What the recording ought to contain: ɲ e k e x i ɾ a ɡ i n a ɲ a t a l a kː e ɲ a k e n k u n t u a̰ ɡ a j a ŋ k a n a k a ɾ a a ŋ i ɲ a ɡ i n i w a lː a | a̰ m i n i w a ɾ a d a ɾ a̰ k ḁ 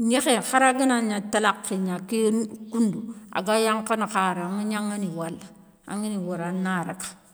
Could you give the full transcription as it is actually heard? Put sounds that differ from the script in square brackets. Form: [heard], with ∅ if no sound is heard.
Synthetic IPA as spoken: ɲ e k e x [a] ɾ a ɡ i n a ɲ a t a l a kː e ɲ a k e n k u n [d] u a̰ ɡ a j a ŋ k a n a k a ɾ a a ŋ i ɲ a [ŋ] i n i w a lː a | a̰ [ŋ] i n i w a ɾ a [n] a ɾ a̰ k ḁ